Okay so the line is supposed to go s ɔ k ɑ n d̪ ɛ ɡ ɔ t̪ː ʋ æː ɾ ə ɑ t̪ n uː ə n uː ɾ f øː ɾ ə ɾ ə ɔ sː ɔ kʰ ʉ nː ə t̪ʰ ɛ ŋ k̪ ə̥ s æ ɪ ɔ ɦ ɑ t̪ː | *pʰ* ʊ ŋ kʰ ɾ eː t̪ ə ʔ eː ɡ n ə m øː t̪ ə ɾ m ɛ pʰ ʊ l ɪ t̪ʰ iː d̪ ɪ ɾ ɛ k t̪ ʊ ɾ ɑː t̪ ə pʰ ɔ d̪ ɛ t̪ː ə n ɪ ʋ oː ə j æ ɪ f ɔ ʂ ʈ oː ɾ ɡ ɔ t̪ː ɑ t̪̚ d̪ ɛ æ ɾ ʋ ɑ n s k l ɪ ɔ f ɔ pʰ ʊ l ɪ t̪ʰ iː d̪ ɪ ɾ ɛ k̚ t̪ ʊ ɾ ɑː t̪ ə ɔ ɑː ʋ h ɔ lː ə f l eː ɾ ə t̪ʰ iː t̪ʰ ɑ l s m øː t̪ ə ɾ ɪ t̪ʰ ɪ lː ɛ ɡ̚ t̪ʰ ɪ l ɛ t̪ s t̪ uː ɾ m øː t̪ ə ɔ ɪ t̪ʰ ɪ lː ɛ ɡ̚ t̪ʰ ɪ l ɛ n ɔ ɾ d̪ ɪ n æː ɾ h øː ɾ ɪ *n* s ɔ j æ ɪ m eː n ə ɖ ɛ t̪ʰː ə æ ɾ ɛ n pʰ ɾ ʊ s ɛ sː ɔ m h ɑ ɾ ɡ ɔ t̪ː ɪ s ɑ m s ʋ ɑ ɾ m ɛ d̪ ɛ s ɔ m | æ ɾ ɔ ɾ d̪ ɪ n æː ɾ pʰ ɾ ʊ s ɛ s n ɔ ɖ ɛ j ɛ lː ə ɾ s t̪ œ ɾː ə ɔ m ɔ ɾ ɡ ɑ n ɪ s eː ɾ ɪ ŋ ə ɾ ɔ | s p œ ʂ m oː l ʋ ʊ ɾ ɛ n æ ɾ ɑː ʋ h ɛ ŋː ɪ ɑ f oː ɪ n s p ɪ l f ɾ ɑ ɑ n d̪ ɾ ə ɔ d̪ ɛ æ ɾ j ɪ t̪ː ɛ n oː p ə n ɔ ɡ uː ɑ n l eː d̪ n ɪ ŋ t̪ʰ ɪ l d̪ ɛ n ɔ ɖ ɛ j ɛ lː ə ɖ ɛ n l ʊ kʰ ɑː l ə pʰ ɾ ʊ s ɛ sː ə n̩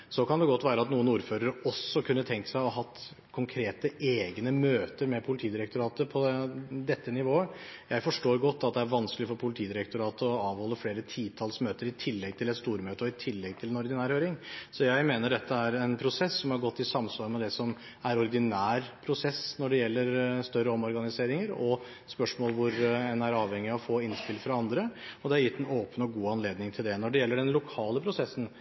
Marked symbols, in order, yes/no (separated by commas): no, no